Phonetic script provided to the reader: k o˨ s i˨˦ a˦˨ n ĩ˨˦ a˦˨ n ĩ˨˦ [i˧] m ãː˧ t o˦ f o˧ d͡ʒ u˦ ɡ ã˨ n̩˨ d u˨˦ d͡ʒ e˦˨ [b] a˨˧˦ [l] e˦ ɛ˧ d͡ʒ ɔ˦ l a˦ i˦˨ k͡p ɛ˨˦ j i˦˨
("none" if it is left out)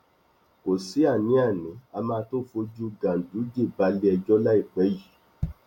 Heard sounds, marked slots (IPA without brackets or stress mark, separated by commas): a˧, b, l